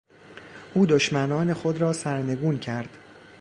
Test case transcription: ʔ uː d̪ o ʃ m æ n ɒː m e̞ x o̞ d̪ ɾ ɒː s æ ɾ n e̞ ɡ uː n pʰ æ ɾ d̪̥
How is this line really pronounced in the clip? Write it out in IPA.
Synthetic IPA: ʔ uː d̪ o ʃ m æ n ɒː n e̞ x o̞ d̪ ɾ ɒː s æ ɾ n e̞ ɡ uː n cʰ æ ɾ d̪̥